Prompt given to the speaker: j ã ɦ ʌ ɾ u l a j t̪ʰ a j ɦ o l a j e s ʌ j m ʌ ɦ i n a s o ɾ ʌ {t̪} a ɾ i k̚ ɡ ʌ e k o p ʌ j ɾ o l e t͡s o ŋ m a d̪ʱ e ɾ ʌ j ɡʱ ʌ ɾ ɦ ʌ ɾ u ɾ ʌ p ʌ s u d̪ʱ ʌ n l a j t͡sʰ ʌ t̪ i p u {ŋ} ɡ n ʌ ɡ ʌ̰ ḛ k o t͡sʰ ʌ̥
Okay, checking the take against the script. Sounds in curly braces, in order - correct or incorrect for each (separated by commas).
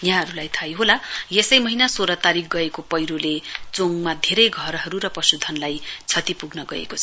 correct, incorrect